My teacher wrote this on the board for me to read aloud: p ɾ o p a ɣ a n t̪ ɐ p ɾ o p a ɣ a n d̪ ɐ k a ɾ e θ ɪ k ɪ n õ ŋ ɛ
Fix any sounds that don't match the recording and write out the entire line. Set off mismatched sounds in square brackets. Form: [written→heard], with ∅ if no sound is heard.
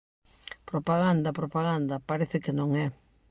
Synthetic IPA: p ɾ o p a ɣ a n [t̪→d̪] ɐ p ɾ o p a ɣ a n d̪ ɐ [k→p] a ɾ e θ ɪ k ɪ n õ ŋ ɛ

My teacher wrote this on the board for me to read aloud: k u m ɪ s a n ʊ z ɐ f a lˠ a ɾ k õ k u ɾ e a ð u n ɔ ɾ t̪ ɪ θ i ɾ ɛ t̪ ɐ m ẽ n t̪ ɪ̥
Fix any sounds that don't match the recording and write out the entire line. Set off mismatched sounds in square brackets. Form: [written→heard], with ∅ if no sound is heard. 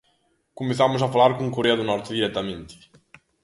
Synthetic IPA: k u m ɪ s a [n→m] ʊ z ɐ f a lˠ a ɾ k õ k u ɾ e [a→ɐ] ð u n ɔ ɾ t̪ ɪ [θ→ð] i ɾ ɛ t̪ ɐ m ẽ n t̪ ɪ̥

